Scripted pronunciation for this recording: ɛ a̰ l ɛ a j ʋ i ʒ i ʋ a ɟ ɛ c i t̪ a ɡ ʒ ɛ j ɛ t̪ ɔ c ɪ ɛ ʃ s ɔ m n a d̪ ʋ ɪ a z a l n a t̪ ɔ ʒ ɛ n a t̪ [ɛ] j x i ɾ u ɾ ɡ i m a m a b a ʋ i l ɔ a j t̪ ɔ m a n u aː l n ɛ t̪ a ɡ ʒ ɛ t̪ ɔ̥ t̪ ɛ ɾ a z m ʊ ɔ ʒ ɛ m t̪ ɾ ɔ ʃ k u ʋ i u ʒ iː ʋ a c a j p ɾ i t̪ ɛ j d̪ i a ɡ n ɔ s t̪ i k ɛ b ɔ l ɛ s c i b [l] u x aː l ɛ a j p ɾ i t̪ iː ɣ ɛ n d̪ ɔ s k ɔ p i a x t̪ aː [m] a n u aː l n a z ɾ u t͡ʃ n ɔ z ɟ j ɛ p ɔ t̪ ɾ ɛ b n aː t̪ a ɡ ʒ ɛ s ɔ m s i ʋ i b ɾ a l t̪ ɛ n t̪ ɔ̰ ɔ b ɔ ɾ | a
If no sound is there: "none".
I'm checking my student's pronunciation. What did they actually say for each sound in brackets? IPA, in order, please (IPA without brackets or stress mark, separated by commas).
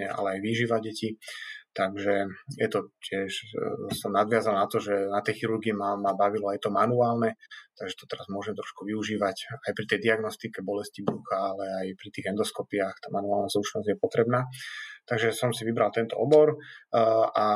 ɛ, ɾ, m